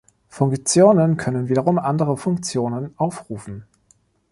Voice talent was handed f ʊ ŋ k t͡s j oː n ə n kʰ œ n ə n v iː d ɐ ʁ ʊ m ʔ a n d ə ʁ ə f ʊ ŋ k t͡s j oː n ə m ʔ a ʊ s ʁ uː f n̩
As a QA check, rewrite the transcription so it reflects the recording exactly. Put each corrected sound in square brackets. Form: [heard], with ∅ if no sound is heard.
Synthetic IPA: f ʊ ŋ k t͡s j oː n ə n kʰ œ n ə n v iː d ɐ ʁ ʊ m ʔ a n d ə ʁ ə f ʊ ŋ k t͡s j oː n ə [n] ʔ a ʊ [f] ʁ uː f n̩